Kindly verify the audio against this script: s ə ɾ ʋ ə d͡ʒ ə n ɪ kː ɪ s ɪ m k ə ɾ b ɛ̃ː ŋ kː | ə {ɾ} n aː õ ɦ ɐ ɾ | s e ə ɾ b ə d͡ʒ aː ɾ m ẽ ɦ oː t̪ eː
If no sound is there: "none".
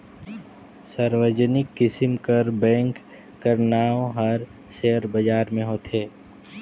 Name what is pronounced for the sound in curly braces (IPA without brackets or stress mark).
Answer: ɾ